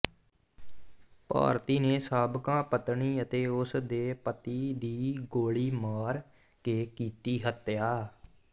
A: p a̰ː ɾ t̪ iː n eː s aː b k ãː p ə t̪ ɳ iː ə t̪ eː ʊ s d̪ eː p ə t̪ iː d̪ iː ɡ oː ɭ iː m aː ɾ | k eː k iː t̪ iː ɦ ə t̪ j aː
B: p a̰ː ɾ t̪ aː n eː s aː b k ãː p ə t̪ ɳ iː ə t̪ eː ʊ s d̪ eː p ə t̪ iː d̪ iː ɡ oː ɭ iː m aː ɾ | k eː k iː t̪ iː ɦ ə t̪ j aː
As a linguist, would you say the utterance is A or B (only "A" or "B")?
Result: A